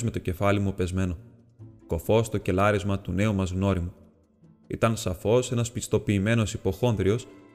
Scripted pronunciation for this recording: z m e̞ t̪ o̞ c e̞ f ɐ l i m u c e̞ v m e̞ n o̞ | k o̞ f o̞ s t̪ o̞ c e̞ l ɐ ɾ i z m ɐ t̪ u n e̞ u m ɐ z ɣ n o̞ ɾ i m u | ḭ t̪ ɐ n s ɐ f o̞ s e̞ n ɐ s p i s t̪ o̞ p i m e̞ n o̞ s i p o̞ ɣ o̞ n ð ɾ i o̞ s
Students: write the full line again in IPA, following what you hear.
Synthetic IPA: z m e̞ t̪ o̞ c e̞ f ɐ l i m u p e̞ z m e̞ n o̞ | k o̞ f o̞ s t̪ o̞ c e̞ l ɐ ɾ i z m ɐ t̪ u n e̞ u m ɐ z ɣ n o̞ ɾ i m u | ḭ t̪ ɐ n s ɐ f o̞ s e̞ n ɐ s p i s t̪ o̞ p iː m e̞ n o̞ s i p o̞ x o̞ n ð ɾ i o̞ s